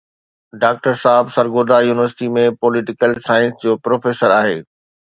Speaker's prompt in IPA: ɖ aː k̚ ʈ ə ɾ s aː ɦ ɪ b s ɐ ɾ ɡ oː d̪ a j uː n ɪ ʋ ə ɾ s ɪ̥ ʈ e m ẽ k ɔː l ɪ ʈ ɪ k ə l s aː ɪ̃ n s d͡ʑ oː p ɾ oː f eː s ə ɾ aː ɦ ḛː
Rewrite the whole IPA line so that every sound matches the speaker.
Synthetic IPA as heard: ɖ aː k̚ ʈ ə ɾ s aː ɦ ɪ b s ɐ ɾ ɡ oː d̪ a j uː n ɪ ʋ ə ɾ s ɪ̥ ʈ i m ẽ p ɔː l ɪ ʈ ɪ k ə l s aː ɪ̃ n s d͡ʑ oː p ɾ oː f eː s ə ɾ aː ɦ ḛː